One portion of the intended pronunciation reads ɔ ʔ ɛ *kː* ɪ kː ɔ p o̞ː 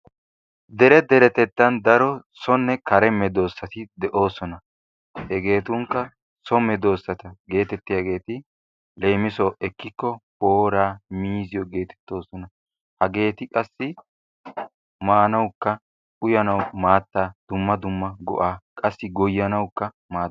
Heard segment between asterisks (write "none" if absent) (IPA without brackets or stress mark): kː